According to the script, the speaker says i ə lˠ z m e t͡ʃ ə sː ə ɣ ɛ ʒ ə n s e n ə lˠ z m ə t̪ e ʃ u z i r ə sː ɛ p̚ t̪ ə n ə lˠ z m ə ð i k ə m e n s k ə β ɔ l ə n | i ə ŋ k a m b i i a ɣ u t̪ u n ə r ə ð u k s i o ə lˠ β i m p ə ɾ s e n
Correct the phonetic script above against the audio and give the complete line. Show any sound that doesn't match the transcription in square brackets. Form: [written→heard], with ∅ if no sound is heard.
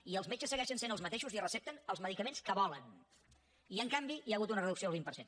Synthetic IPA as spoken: i ə lˠ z m e t͡ʃ ə sː ə ɣ ɛ [ʒ→ʃ] ə n s e n ə lˠ z m ə t̪ e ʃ u z i r ə [sː→s] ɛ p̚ t̪ ə n ə lˠ z m ə ð i k ə m e n s k ə β ɔ l ə n | i ə ŋ k a m b i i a ɣ u t̪ u n ə r ə ð u k s i o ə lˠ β i m p ə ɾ s e n